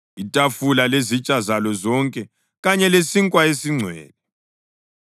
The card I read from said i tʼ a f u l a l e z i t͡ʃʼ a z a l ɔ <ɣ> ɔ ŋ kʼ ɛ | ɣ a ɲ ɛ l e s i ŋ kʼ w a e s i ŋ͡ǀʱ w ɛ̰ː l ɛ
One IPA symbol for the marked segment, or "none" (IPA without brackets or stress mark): z